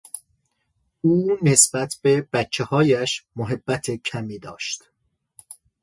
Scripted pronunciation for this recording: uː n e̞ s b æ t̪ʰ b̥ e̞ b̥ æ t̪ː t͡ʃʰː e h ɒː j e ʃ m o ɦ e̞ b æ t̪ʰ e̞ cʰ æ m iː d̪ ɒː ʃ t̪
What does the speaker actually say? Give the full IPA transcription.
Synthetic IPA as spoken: uː n e̞ s b æ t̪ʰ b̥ e̞ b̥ æ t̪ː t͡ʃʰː e h ɒː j æ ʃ m o ɦ e̞ bː æ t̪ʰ e̞ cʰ æ m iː d̪ ɒː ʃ t̪